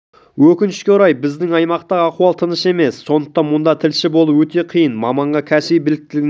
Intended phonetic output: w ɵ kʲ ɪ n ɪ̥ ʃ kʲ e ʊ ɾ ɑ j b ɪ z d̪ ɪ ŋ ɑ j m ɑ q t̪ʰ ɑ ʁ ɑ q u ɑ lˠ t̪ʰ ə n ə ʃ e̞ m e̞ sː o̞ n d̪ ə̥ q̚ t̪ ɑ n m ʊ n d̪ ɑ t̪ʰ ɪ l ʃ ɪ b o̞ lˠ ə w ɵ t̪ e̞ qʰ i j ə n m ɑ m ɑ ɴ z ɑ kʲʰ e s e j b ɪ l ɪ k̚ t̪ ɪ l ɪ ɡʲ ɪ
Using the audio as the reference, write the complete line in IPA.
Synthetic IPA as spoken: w ɵ kʲ ɪ n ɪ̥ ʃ kʲ e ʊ ɾ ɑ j b ɪ z d̪ ɪ ŋ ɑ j m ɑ q t̪ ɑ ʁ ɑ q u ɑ lˠ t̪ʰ ə n ə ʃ e̞ m e̞ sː o̞ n d̪ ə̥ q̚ t̪ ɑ n m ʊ n d̪ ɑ t̪ʰ ɪ l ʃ ɪ b o̞ lˠ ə w ɵ t̪ e̞ qʰ i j ə n m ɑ m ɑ ɴ ʁ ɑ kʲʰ æ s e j b ɪ l ɪ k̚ t̪ ɪ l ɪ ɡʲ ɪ